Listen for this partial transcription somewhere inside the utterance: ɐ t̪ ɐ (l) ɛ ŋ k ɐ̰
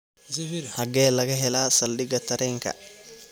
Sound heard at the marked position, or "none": ɾ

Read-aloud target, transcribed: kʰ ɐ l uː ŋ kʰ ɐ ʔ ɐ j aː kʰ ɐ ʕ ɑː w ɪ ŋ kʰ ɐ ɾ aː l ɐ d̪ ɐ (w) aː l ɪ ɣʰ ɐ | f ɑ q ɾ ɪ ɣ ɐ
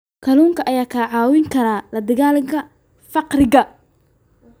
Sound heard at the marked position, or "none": ɣ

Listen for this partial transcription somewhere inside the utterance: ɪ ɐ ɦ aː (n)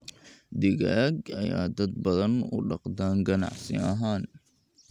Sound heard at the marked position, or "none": n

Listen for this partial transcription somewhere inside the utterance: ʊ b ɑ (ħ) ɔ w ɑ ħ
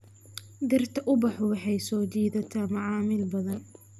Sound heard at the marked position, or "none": ħ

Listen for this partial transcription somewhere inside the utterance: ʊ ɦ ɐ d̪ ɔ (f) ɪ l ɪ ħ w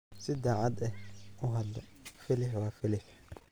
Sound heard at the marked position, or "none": f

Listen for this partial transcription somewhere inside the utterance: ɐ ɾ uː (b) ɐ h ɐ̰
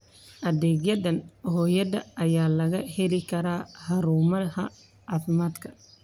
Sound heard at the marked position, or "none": m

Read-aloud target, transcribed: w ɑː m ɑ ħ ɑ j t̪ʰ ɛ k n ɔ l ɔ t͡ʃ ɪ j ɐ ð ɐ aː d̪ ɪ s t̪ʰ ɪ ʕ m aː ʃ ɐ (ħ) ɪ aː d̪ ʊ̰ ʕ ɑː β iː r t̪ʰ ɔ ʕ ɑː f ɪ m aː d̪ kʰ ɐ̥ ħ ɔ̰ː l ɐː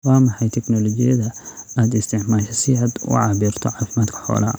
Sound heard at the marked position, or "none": s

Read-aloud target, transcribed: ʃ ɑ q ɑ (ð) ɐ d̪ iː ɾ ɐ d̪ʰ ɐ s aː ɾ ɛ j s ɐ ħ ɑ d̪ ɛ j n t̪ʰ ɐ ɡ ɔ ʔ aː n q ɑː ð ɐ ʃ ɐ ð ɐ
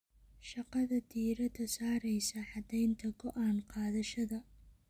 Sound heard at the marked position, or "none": ð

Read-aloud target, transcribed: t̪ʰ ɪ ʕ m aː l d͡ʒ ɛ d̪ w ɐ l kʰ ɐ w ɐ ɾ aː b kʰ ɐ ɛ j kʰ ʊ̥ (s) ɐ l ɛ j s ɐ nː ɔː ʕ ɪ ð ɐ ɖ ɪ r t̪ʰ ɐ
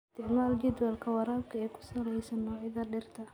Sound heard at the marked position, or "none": s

